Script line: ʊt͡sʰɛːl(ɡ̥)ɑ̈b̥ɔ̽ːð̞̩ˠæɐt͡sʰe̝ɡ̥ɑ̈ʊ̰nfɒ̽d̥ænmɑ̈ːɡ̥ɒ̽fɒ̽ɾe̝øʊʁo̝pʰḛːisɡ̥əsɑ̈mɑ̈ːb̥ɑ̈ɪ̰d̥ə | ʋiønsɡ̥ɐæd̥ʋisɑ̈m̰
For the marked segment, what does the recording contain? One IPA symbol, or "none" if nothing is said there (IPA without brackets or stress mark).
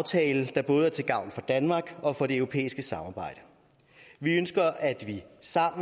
d̥